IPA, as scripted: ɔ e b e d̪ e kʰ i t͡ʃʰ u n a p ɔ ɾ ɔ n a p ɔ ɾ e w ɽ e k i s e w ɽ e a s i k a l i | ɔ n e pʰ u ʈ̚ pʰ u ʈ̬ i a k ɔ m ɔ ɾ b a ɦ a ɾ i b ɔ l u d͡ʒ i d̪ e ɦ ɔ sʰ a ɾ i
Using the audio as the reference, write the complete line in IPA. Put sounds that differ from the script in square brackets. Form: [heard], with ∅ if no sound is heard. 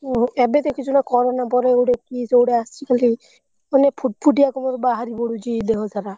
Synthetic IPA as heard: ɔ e b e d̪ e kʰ i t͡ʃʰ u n a [k] ɔ ɾ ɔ n a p ɔ ɾ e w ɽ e k i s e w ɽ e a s i k a l i | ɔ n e pʰ u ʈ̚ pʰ u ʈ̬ i a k ɔ m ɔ ɾ b a ɦ a ɾ i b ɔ [ɽ] u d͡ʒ i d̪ e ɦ ɔ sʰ a ɾ [a]